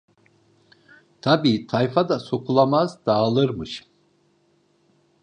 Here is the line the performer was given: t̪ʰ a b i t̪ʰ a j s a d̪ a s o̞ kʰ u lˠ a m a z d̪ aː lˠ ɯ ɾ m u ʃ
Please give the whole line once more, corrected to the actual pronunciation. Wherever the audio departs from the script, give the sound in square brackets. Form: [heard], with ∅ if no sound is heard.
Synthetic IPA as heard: t̪ʰ a b [iː] t̪ʰ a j [f] a d̪ a s o̞ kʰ u lˠ a m a z d̪ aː lˠ ɯ ɾ m [ɯ] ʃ